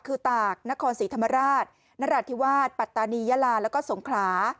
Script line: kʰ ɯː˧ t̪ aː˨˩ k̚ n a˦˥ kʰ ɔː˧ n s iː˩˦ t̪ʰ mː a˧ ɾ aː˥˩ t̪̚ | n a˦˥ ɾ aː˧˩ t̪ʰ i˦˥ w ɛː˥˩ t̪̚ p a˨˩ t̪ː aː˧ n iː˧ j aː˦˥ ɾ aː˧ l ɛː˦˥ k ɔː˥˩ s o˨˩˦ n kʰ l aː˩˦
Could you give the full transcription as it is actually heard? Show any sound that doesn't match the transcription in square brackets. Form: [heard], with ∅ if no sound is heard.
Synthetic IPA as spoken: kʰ ɯː˧ t̪ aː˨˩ k̚ n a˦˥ kʰ ɔː˧ n s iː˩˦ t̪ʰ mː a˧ ɾ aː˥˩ t̪̚ | n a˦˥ ɾ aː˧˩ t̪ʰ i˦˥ w [aː˥˩] t̪̚ p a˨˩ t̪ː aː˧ n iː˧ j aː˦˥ [l] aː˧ l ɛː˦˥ k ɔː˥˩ s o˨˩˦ [ŋ] kʰ l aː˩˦